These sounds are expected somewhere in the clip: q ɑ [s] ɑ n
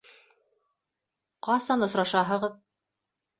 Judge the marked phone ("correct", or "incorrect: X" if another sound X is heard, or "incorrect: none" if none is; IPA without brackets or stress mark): correct